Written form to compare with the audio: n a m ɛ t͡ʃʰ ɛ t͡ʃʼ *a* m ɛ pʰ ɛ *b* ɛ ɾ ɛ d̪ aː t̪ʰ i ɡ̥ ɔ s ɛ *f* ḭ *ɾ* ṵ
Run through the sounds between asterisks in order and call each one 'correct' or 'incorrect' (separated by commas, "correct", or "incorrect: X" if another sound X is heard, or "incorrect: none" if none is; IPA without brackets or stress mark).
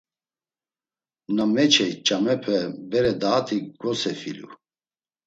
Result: correct, correct, correct, incorrect: l